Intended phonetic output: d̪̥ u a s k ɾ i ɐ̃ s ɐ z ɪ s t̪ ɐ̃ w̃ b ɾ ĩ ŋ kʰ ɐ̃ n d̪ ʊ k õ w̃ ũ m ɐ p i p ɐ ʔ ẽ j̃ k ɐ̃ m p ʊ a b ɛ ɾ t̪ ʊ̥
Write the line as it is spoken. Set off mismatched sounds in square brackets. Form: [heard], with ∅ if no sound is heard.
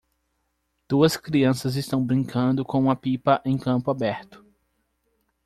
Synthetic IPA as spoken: d̪̥ u [ɐ] s k ɾ i ɐ̃ s ɐ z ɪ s t̪ ɐ̃ w̃ b ɾ ĩ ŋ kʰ ɐ̃ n d̪ ʊ k õ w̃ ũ m ɐ p i p ɐ ʔ ẽ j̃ k ɐ̃ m p ʊ a b ɛ ɾ t̪ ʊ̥